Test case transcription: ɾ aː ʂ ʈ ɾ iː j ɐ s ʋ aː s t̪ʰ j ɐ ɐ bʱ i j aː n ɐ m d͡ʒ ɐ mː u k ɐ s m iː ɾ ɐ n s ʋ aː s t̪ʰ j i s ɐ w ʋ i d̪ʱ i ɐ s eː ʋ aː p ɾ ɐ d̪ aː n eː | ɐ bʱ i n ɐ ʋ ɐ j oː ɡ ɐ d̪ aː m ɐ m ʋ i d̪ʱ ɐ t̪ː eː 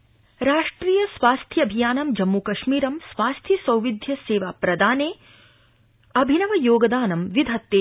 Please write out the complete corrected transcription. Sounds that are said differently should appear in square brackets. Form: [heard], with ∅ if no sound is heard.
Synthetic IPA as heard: ɾ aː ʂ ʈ ɾ iː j ɐ s ʋ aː s t̪ʰ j ɐ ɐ bʱ i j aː n ɐ m d͡ʒ ɐ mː u k ɐ [ʃ] m iː ɾ ɐ [m] s ʋ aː s t̪ʰ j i s ɐ w ʋ i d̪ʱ [j] ɐ s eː ʋ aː p ɾ ɐ d̪ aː n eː | ɐ bʱ i n ɐ ʋ ɐ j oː ɡ ɐ d̪ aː [n] ɐ m ʋ i d̪ʱ ɐ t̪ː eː